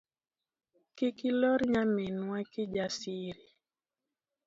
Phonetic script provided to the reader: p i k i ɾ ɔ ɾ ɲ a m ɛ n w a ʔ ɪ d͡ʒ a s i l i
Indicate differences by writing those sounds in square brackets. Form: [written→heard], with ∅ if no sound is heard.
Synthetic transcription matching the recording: [p→k] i k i [ɾ→l] ɔ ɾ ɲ a m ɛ n w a [ʔ→k] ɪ d͡ʒ a s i [l→ɾ] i